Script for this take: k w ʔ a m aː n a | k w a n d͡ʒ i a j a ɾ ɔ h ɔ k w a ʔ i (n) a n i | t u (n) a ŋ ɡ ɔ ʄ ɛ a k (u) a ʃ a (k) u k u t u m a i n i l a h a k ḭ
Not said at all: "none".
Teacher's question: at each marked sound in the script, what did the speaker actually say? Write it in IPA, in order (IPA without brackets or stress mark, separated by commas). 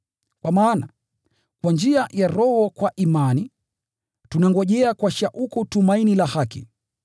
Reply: m, n, w, ʔ